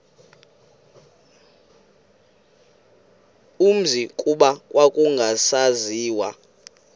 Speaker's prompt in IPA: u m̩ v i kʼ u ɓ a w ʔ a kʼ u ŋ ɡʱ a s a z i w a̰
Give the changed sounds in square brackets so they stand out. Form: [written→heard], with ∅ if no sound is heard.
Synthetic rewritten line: u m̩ [v→z] i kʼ u ɓ a w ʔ a kʼ u ŋ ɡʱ a s a z [i→iː] w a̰

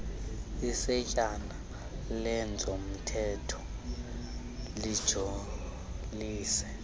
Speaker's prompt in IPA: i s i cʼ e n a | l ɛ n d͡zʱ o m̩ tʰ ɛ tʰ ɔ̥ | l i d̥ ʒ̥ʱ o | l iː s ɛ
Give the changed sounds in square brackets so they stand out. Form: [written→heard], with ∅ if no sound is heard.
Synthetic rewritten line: i s [i→ɛ] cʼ [e→a] n a | l ɛ n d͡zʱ o m̩ tʰ ɛ tʰ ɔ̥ | l i d̥ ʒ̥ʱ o | l iː s ɛ

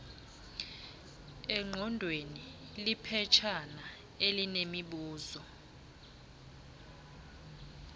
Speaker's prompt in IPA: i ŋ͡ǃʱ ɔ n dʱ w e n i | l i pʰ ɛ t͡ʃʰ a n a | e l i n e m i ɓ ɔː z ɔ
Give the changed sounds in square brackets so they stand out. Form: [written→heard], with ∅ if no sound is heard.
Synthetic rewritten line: [i→ɛ] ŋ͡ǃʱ ɔ n dʱ w e n i | l i pʰ ɛ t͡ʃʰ a n a | e l i n e m i ɓ [ɔː→uː] z ɔ

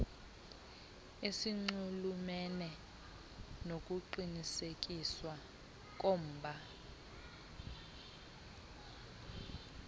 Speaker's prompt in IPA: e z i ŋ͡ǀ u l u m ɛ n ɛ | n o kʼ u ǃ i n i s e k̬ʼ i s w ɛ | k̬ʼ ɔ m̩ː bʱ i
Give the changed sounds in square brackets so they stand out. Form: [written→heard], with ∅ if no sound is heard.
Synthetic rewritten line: e [z→s] i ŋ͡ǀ u l u m ɛ n ɛ | n o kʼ u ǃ i n i s e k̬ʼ i s w [ɛ→a] | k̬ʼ [ɔ→o] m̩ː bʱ [i→a]

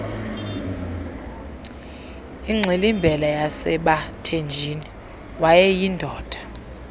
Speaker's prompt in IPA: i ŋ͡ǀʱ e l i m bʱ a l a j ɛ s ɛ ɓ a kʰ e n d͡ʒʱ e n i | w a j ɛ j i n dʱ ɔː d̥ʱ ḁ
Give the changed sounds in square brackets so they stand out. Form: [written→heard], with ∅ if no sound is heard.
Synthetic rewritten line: i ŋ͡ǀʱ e l i m bʱ [a→ɛ] l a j [ɛ→a] s ɛ ɓ a [kʰ→tʰ] e n d͡ʒʱ [e→i] n i | w a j ɛ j i n dʱ ɔː d̥ʱ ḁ

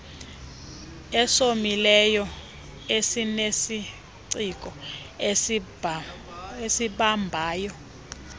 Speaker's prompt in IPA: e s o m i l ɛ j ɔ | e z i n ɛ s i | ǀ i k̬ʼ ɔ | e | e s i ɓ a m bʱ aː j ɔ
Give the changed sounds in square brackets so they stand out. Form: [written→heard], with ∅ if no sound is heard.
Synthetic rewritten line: [e→ɛ] s o m i l ɛ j ɔ | e [z→s] i n [ɛ→e] s i | ǀ i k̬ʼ ɔ | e | e s i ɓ a m bʱ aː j ɔ

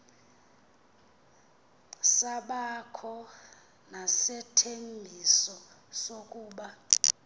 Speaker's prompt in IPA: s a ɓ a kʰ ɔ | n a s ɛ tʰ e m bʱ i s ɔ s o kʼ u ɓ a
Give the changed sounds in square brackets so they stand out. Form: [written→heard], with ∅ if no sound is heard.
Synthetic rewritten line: s a ɓ a kʰ ɔ | n a s ɛ tʰ e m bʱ i s ɔ s o kʼ [u→uː] ɓ a

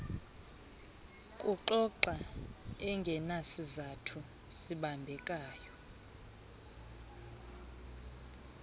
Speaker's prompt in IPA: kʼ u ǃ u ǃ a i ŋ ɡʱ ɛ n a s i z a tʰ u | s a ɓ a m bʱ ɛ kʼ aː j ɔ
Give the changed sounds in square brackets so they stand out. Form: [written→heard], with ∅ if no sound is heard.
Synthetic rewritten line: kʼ u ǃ [u→ɔ] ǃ a [i→ɛ] ŋ ɡʱ ɛ n a s i z a tʰ u | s [a→i] ɓ a m bʱ ɛ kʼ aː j ɔ

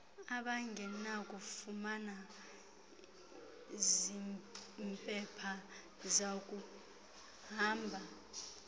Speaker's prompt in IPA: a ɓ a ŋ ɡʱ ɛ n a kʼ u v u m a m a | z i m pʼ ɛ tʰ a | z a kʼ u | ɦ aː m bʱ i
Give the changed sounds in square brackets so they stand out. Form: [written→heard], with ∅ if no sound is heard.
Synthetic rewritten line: a ɓ a ŋ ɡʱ ɛ n a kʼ u [v→f] u m a [m→n] a | z i m pʼ ɛ [tʰ→pʰ] a | z a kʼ u | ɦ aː m bʱ [i→a]

